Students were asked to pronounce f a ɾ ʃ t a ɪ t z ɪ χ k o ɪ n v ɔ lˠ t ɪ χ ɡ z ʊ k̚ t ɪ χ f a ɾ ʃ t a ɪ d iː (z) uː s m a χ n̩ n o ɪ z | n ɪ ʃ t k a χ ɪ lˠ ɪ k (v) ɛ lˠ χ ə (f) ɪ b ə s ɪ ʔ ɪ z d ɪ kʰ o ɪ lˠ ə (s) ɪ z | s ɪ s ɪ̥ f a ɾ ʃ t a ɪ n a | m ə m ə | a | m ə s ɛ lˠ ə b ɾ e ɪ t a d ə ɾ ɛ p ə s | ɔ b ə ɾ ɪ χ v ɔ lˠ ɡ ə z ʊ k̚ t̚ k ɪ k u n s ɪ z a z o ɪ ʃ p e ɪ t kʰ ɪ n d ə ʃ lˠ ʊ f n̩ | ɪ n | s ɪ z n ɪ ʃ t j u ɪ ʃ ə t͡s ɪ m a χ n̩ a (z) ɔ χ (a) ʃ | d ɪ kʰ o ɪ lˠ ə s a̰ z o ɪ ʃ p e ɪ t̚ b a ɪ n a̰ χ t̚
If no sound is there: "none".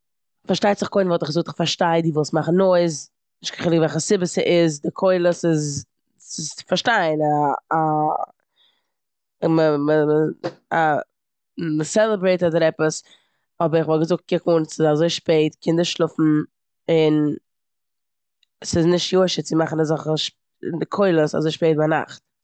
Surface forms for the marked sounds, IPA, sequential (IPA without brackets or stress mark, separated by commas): v, v, s, s, z, ə